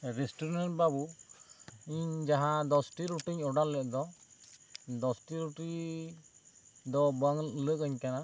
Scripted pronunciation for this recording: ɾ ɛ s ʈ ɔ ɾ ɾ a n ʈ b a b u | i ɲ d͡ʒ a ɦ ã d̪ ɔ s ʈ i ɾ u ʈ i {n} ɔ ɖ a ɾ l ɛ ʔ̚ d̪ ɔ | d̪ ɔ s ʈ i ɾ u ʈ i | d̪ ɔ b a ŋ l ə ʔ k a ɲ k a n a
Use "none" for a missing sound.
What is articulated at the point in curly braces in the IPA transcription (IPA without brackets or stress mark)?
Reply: ɲ